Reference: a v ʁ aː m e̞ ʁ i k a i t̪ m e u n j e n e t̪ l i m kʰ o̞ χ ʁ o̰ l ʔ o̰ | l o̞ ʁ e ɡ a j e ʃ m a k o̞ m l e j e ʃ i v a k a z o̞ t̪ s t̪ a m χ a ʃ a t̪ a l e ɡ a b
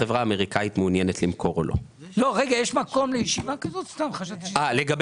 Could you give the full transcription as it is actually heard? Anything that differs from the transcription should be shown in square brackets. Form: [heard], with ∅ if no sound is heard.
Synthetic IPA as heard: [e] v ʁ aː m e̞ ʁ i k a i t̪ m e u n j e n e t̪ l i m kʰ o̞ [∅] ʁ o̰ l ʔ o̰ | l o̞ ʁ e ɡ a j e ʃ m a k o̞ m l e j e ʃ i v a k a z o̞ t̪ s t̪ a m χ a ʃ a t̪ a l e ɡ a b